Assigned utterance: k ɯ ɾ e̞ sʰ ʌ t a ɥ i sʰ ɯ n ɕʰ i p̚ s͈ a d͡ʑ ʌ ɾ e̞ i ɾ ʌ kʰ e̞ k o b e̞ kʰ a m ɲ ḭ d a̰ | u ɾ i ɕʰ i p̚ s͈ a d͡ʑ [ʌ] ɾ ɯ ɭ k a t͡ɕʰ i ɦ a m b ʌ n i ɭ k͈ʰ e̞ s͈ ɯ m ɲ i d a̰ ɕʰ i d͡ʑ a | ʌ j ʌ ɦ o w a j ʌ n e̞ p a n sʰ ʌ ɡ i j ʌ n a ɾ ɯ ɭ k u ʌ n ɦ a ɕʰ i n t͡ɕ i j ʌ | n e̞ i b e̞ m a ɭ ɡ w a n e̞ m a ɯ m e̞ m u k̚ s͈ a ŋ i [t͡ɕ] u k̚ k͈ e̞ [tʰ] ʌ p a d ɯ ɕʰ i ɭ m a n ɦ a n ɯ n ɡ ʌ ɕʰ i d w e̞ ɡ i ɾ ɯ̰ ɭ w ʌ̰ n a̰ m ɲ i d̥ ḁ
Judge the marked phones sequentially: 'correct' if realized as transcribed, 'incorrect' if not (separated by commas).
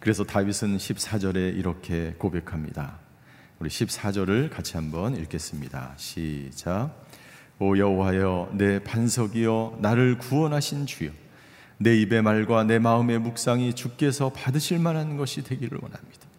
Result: correct, correct, incorrect